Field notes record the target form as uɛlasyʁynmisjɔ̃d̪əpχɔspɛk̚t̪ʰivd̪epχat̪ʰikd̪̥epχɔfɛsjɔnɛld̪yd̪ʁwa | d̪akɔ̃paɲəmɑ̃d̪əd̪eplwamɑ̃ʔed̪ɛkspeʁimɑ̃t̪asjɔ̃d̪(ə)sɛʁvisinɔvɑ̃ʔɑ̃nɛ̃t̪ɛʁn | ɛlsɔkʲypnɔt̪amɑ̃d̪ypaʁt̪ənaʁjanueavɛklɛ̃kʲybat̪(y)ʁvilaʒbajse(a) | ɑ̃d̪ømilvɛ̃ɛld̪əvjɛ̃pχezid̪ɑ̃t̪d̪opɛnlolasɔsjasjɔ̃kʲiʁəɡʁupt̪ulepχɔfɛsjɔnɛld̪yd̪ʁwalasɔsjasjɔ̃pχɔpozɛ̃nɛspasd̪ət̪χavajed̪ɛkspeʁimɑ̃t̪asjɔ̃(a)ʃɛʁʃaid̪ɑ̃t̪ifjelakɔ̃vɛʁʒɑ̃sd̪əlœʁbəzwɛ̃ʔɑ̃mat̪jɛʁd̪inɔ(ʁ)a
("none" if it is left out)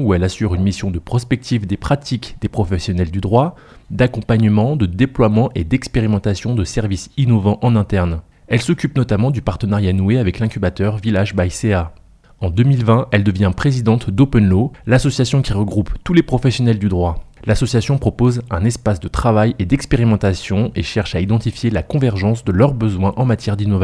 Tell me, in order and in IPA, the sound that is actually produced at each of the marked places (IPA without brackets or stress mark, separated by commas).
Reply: ə, œ, a, e, v